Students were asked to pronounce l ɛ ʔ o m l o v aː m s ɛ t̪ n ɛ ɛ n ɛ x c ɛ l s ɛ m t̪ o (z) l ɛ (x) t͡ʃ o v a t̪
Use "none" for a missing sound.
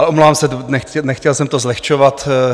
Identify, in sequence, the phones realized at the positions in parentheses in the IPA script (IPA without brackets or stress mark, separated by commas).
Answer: z, x